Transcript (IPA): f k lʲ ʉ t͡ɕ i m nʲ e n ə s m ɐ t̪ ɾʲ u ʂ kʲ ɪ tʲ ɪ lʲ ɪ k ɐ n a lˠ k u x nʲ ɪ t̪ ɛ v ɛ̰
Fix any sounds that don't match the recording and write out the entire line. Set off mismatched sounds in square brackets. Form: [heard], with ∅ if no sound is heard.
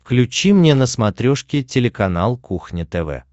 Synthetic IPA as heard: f k lʲ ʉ t͡ɕ i m nʲ e n ə s m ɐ t̪ ɾʲ [o] ʂ kʲ ɪ tʲ ɪ lʲ ɪ k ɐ n a lˠ k u x nʲ ɪ t̪ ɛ v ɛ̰